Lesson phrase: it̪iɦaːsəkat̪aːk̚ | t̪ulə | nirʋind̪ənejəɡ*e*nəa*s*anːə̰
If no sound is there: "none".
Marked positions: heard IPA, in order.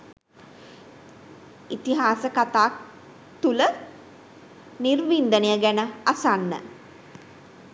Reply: æ, s

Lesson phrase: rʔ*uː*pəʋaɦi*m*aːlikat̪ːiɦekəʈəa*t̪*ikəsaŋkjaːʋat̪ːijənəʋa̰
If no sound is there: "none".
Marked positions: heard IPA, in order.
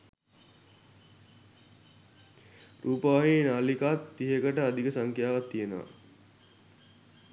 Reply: uː, n, d̪

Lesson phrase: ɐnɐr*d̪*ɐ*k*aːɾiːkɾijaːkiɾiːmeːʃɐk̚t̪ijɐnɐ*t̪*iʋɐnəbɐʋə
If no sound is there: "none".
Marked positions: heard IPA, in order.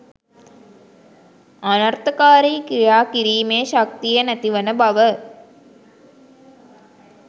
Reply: t̪, k, t̪

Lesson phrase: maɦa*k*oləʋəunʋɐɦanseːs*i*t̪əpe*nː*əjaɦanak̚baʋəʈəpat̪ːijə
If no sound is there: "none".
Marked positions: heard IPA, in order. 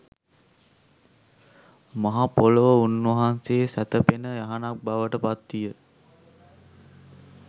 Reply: p, æ, n

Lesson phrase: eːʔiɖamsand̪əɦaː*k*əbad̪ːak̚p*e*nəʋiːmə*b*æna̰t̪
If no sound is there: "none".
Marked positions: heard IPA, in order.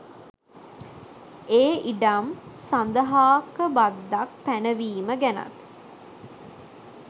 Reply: k, æ, ɡ

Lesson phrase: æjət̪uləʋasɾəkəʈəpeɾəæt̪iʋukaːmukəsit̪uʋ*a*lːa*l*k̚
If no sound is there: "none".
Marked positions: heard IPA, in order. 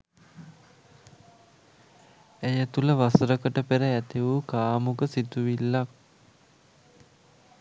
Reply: i, none

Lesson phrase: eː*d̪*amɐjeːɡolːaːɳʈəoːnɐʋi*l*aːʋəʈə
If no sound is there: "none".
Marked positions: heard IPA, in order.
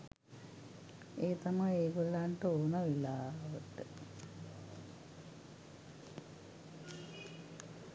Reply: t̪, l

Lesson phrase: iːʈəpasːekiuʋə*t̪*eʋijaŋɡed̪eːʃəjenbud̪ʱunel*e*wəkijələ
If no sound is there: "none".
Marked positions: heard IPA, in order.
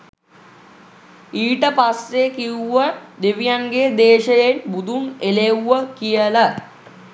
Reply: d̪, e

